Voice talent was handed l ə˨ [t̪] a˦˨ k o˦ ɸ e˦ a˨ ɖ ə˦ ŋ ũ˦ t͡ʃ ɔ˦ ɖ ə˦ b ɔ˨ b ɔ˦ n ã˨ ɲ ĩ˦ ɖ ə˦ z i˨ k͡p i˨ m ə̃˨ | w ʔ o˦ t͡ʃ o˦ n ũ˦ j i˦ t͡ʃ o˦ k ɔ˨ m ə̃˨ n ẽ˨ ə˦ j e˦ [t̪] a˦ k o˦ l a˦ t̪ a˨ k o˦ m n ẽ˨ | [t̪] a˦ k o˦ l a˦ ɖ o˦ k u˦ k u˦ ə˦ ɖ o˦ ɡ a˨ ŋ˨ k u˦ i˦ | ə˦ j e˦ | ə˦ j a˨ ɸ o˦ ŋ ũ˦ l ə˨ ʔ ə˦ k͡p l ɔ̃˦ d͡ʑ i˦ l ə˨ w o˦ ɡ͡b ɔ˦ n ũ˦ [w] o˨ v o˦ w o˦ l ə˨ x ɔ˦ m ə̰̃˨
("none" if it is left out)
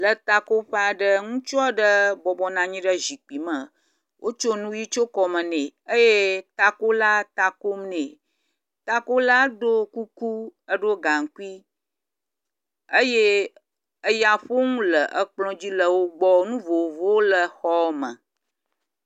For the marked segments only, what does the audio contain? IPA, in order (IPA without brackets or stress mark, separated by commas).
t̪, t̪, t̪, v